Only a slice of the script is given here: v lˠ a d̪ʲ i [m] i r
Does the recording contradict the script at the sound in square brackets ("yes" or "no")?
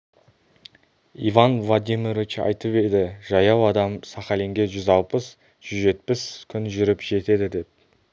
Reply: no